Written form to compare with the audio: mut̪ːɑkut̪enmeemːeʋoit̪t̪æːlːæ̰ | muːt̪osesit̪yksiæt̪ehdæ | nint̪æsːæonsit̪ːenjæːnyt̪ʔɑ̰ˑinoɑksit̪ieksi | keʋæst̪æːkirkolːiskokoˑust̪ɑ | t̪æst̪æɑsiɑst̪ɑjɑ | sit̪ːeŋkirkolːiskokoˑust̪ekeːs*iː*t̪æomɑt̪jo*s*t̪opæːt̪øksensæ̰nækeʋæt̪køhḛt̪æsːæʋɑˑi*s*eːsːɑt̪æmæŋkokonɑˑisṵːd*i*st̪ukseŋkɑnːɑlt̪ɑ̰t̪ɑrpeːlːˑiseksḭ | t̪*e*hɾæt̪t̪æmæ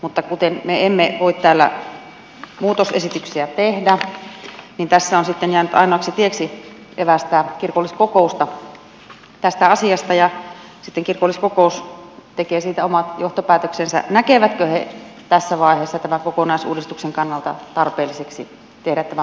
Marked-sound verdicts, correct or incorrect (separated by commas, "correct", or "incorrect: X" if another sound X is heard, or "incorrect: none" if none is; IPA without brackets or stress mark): correct, incorrect: h, incorrect: h, correct, correct